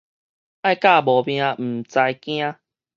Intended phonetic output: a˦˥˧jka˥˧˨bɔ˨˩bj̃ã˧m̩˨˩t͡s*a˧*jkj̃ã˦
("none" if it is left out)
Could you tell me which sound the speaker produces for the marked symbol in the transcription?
a˧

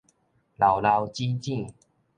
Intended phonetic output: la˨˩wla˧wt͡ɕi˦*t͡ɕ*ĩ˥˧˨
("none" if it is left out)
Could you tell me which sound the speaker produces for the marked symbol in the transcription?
t͡ɕ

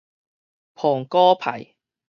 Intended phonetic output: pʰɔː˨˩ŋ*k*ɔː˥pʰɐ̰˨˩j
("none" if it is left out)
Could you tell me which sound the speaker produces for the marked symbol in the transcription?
k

